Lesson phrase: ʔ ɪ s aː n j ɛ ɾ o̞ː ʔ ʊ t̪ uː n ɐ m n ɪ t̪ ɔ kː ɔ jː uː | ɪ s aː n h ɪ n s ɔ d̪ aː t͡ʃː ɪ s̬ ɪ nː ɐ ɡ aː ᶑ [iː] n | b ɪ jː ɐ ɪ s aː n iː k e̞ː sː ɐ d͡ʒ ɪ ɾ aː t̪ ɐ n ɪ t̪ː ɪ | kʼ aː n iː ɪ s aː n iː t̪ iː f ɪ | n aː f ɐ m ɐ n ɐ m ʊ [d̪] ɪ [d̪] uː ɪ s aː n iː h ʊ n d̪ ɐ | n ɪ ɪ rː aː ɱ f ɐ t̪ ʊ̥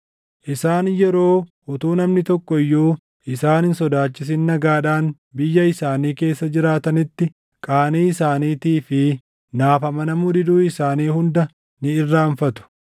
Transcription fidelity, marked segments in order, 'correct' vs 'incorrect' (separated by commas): incorrect, correct, correct